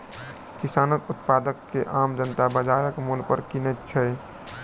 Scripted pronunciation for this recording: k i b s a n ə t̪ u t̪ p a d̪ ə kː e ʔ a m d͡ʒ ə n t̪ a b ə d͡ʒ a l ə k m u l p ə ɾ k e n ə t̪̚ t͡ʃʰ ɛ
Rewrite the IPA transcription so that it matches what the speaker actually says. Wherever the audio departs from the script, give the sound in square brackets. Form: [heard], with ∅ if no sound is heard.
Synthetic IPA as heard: k i [∅] s a n ə t̪ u t̪ p a d̪ ə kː e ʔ a m d͡ʒ ə n t̪ a b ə d͡ʒ a [ɾ] ə k m u l p ə ɾ k [i] n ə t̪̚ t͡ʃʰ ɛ